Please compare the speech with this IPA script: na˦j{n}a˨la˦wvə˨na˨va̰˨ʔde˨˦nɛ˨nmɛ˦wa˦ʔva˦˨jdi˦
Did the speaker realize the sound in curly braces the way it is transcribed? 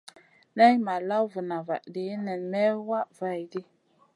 no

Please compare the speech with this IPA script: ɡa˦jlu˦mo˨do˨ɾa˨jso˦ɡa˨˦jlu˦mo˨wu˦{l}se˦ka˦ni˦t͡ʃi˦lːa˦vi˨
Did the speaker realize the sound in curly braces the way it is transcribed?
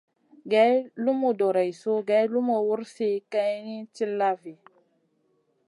no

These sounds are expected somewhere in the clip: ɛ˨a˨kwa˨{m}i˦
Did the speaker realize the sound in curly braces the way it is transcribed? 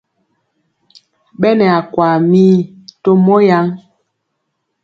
yes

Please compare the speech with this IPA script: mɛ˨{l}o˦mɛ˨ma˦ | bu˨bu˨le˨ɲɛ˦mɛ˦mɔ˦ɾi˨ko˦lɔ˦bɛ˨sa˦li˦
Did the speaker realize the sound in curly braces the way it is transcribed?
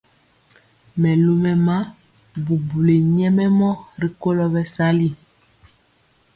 yes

